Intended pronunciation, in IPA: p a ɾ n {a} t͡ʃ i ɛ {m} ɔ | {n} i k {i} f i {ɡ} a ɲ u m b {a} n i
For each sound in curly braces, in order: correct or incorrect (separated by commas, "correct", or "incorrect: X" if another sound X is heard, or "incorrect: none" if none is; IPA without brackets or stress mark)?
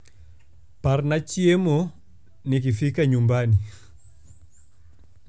correct, correct, correct, correct, incorrect: k, correct